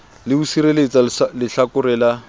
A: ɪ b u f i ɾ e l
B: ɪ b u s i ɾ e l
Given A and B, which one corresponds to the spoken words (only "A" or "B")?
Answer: B